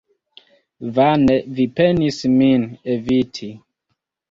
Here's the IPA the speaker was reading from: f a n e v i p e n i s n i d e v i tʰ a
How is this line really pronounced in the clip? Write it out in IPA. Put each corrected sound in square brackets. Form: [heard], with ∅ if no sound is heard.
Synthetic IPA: [v] a n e v i p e n i s [m] i [n] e v i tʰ [i]